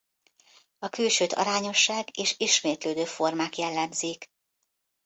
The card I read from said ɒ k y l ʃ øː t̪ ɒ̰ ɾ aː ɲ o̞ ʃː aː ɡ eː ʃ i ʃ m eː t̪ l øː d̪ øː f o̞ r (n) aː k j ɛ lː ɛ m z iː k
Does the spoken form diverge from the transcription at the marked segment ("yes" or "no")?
yes